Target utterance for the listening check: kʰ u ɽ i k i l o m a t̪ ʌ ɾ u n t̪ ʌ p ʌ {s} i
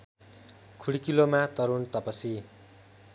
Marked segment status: correct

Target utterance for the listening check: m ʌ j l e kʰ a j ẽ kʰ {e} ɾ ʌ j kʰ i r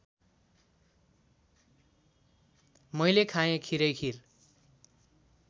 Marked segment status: incorrect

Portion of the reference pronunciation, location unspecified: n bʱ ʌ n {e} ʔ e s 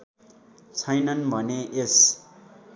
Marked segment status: correct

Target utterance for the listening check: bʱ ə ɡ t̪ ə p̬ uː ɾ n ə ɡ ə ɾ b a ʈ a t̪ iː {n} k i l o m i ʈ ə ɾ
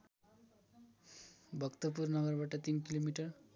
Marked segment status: correct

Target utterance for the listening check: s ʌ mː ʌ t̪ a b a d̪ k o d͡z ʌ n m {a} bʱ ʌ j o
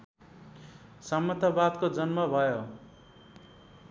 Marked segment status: incorrect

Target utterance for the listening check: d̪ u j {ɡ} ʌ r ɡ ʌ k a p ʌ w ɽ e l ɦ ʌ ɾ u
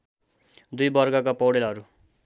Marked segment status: incorrect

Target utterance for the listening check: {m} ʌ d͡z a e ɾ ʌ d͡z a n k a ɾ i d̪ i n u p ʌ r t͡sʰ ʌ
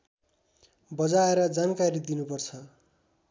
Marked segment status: incorrect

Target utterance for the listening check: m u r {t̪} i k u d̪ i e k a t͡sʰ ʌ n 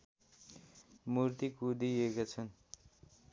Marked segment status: correct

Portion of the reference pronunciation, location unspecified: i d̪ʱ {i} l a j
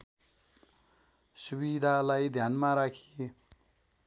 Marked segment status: incorrect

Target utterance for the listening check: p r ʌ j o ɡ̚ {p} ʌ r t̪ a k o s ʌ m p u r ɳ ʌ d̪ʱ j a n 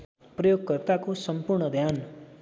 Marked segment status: incorrect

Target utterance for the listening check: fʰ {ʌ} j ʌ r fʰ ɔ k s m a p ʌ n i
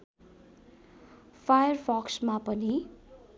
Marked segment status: incorrect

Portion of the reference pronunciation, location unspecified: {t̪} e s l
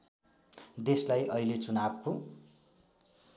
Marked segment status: incorrect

